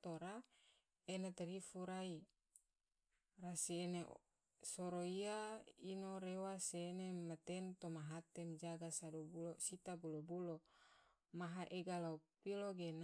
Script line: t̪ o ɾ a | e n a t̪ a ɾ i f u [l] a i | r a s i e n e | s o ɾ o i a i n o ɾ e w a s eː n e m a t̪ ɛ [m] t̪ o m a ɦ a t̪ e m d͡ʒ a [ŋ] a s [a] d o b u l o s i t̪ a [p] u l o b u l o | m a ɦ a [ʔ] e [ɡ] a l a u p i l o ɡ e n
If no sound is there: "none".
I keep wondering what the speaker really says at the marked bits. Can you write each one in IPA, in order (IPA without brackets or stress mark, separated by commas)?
ɾ, n, ɡ, a, b, ʔ, ɡ